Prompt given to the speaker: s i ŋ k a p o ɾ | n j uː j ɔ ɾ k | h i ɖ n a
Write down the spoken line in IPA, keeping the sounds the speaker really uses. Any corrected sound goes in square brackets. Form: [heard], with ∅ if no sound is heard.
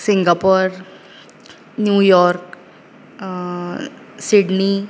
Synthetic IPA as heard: s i ŋ [ɡ] a p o ɾ | n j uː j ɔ ɾ k | [s] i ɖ n [i]